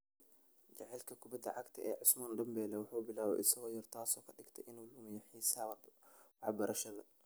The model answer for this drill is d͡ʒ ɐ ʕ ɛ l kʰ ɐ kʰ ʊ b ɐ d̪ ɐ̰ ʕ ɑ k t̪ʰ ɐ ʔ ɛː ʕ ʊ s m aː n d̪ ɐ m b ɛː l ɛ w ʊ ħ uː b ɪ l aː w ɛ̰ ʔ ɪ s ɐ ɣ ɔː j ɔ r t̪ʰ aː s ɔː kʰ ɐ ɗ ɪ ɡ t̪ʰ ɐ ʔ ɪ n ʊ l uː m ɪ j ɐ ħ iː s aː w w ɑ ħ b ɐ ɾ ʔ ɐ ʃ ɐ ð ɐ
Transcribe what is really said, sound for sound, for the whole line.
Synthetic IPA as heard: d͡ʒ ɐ ʕ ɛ l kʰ ɐ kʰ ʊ b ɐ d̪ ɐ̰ ʕ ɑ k t̪ʰ ɐ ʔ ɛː ʕ ʊ s m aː n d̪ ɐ m b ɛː l ɛ w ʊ ħ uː b ɪ l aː w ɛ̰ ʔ ɪ s ɐ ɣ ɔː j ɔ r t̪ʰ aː s ɔː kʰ ɐ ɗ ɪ ɡ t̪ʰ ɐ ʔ ɪ n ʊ l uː m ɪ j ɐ ħ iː s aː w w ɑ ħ b ɐ ɾ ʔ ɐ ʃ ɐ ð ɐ